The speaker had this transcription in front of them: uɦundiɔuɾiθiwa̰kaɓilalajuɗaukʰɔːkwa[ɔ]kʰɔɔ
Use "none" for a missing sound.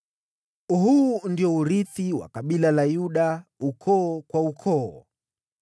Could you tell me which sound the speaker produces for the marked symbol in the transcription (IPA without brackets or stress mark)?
u